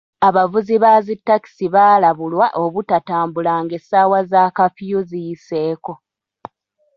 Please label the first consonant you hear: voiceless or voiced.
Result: voiced